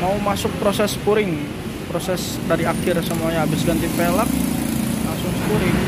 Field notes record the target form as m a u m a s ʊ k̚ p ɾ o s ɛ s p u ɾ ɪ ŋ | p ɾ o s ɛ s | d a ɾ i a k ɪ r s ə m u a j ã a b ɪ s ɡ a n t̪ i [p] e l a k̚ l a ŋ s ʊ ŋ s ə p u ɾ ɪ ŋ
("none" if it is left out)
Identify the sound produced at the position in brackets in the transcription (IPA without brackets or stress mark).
p